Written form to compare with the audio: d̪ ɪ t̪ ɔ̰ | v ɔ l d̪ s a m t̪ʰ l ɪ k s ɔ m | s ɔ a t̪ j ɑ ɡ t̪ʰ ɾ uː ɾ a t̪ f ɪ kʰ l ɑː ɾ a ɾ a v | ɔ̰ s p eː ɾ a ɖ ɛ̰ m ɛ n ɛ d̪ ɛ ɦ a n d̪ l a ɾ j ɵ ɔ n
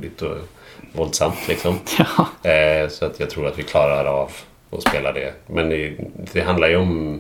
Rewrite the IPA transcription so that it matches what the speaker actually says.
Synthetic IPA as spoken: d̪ ɪ t̪ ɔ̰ | v ɔ l d̪ s a m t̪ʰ l ɪ k s ɔ m | s ɔ a t̪ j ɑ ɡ t̪ʰ ɾ uː ɾ a t̪ v ɪ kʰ l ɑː ɾ a ɾ a v | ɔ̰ s p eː l a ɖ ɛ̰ m ɛ n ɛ d̪ ɛ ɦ a n d̪ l a ɾ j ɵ ɔ m